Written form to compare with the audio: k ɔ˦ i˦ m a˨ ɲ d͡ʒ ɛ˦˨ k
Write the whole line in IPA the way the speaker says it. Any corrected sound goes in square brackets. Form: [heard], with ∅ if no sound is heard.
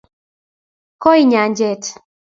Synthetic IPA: k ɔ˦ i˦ [ɲ] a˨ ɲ d͡ʒ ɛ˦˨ [t]